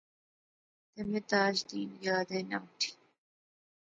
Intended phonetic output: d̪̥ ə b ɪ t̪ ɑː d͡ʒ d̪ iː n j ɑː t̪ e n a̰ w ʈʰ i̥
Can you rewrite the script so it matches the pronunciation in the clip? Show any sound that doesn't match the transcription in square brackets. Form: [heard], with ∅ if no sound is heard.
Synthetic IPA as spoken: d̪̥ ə [m] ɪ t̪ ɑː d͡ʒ d̪ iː n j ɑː [d̪] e n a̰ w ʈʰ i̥